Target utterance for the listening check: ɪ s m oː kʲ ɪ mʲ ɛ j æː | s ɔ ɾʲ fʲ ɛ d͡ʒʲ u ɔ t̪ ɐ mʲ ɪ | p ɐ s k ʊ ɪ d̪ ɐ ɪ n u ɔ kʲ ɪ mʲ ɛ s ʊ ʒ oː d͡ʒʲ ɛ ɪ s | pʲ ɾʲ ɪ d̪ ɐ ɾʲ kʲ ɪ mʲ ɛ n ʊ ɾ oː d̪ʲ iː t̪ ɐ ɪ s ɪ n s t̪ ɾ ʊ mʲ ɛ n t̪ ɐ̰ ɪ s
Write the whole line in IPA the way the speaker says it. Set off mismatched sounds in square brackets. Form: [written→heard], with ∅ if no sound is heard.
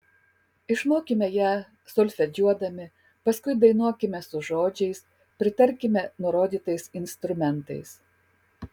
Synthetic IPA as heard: ɪ [s→ʃ] m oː kʲ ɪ mʲ ɛ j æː | s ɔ [ɾʲ→lʲ] fʲ ɛ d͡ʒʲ u ɔ [t̪→d̪] ɐ mʲ ɪ | p ɐ s k ʊ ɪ d̪ ɐ ɪ n u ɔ kʲ ɪ mʲ ɛ s ʊ ʒ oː d͡ʒʲ ɛ ɪ s | pʲ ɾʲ ɪ [d̪→t̪] ɐ ɾʲ kʲ ɪ mʲ ɛ n ʊ ɾ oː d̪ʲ iː t̪ ɐ ɪ s ɪ n s t̪ ɾ ʊ mʲ ɛ n t̪ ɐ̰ ɪ s